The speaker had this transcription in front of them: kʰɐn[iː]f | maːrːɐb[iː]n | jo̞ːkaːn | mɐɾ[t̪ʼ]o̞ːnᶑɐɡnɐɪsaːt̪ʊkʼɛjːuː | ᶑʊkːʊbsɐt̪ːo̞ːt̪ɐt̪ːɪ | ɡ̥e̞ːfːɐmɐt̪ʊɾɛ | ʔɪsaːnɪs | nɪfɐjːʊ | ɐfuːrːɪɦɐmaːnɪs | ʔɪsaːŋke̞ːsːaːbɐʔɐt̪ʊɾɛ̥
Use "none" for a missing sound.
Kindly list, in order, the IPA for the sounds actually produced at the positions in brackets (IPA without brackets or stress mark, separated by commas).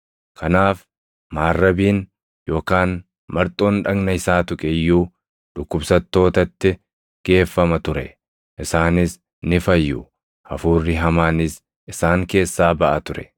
aː, iː, t̪ʼ